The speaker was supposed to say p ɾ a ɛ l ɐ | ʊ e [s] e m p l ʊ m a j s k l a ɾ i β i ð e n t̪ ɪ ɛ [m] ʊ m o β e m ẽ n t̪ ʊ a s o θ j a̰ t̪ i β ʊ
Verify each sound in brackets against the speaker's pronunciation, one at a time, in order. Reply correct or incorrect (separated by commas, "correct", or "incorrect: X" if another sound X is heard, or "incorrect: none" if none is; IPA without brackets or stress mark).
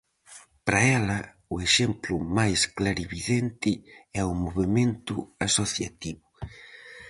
incorrect: ʃ, incorrect: none